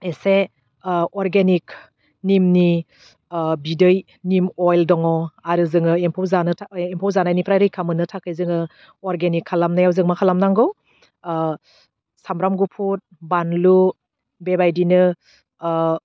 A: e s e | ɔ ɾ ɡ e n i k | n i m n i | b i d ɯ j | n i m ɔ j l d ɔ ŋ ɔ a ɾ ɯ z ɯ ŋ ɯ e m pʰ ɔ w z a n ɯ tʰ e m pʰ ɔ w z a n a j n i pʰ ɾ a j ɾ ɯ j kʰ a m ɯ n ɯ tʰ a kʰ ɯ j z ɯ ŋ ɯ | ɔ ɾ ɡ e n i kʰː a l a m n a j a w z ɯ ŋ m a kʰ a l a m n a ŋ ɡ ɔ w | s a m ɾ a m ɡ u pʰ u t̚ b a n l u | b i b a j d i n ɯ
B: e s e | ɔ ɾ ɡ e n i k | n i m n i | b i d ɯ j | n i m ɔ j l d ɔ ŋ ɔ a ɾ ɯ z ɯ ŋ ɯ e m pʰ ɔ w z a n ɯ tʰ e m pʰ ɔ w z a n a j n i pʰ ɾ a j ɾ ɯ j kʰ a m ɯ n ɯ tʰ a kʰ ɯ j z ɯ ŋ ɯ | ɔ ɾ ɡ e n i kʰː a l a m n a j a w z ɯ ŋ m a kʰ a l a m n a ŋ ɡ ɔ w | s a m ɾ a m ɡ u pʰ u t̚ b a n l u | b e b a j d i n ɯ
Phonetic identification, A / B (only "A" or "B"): B